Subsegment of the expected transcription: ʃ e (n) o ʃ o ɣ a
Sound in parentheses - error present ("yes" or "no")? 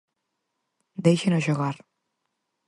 no